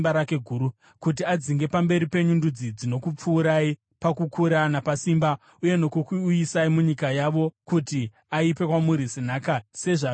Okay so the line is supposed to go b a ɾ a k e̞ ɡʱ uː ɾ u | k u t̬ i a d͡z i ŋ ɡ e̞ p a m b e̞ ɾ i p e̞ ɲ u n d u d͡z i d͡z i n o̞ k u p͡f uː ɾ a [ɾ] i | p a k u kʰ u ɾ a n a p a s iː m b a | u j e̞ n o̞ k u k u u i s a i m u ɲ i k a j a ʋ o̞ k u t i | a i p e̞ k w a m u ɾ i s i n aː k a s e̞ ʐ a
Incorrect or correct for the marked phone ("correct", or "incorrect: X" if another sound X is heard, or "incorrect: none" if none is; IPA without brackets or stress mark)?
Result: incorrect: none